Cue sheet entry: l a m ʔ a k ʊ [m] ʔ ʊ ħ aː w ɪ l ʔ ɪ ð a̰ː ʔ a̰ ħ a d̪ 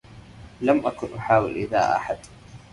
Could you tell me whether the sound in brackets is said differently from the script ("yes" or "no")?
yes